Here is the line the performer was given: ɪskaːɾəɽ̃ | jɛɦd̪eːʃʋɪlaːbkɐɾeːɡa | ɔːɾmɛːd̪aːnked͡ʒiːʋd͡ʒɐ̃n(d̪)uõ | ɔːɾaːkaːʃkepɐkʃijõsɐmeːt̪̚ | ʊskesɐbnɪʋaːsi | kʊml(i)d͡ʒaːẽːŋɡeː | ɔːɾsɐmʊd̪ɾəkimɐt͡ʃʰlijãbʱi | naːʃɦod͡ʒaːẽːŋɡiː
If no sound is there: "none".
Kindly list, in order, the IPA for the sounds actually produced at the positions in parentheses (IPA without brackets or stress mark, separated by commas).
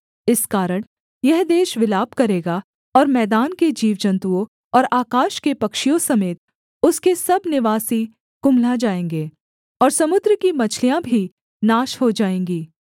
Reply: t̪, a